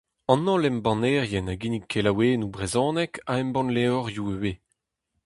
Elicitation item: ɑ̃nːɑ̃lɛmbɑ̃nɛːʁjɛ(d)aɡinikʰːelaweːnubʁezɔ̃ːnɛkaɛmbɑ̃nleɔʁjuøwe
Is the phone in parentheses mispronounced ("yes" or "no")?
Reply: yes